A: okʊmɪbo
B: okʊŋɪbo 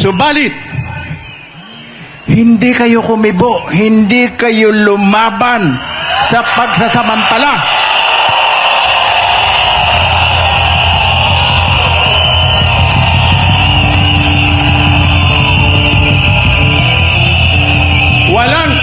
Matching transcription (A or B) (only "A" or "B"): A